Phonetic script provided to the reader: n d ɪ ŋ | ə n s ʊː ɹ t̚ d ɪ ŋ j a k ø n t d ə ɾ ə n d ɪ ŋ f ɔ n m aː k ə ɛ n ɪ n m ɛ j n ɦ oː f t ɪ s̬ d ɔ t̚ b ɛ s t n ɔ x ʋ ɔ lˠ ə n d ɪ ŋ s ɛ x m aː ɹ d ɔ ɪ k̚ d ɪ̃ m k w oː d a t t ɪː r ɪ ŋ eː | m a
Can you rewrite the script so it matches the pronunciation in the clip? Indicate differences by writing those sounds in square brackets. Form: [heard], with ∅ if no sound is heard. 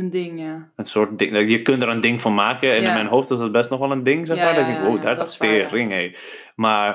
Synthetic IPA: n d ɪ ŋ | ə n s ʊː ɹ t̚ d ɪ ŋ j [ə] k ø n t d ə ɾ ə n d ɪ ŋ f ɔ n m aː k ə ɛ n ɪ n m ɛ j n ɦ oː f t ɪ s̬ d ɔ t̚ b ɛ s t n ɔ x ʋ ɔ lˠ ə n d ɪ ŋ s ɛ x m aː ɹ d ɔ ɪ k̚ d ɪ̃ [ŋ] k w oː d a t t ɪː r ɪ ŋ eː | m a